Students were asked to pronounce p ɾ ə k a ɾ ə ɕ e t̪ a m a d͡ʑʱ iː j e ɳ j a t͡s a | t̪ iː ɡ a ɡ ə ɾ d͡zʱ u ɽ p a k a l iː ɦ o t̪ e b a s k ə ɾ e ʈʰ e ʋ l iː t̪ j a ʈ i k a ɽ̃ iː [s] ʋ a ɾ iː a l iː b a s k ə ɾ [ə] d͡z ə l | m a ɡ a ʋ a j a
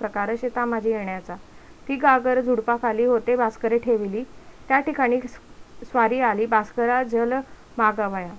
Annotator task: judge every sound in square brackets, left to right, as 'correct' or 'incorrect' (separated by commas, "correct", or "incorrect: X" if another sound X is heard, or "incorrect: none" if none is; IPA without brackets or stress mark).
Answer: correct, incorrect: a